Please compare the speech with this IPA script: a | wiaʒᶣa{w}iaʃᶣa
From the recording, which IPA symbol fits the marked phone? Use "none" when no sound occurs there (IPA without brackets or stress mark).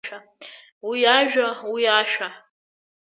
w